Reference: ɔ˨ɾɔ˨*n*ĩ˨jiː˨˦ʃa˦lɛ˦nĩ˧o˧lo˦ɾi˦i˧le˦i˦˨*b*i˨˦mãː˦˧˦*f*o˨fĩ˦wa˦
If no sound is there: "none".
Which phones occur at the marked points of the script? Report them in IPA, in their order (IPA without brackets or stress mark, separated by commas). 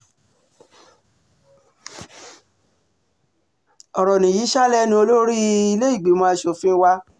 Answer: n, ɡ͡b, ʃ